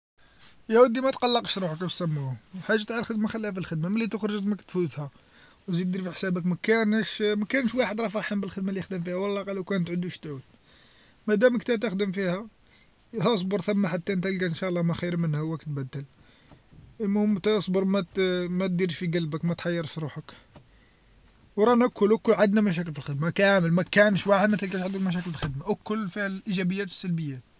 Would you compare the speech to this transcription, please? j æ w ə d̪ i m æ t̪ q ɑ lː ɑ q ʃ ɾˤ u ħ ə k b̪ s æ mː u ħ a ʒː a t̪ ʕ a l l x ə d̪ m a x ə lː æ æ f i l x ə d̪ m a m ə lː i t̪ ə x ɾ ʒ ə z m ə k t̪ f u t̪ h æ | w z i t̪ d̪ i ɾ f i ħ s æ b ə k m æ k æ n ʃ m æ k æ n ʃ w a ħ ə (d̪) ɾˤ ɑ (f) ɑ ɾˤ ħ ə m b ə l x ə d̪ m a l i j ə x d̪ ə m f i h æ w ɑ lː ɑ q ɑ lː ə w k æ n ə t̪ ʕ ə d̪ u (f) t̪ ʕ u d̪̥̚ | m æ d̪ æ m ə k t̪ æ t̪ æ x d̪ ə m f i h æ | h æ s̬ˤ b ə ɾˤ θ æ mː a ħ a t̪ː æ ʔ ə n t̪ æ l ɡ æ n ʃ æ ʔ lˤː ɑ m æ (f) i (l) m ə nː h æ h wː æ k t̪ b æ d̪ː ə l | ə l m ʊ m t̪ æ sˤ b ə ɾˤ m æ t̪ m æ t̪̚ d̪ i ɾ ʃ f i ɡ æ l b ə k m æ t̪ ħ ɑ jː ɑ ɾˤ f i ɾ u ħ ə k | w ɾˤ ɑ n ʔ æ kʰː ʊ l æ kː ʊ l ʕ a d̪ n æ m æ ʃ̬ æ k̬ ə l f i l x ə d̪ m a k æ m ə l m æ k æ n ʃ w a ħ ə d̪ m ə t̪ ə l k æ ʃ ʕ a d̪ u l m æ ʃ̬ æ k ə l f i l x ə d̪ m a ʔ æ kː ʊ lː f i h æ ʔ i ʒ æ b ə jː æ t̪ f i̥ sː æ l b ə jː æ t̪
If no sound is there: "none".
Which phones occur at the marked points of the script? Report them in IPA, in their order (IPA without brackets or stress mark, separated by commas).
d̪, f, ʃ, x, ɾ